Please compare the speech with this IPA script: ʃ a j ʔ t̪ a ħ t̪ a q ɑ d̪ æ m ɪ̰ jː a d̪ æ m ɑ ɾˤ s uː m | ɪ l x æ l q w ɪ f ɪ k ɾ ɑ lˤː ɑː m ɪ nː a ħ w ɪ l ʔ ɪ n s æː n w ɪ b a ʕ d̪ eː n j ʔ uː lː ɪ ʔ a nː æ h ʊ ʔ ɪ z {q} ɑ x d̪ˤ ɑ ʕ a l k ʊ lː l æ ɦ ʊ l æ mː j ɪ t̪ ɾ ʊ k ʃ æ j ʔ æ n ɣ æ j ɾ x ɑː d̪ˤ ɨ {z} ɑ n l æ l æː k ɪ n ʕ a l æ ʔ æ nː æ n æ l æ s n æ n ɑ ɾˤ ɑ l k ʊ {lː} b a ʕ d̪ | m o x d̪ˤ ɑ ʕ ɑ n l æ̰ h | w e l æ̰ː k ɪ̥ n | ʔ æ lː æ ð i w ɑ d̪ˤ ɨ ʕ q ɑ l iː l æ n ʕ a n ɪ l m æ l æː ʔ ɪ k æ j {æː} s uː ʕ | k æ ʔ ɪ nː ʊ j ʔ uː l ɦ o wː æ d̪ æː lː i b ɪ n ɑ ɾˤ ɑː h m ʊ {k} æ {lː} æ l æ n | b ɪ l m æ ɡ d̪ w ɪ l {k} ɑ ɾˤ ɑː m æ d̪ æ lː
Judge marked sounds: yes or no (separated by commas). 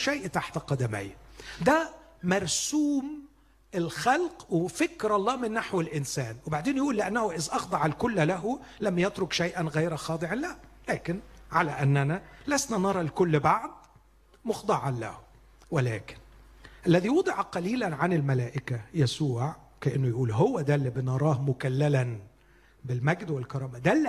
no, no, yes, no, yes, yes, yes